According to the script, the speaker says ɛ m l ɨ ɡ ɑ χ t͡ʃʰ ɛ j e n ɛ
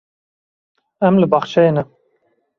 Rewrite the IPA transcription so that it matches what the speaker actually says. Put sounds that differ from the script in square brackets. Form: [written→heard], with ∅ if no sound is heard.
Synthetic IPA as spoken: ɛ m l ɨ [ɡ→b] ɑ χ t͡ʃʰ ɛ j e n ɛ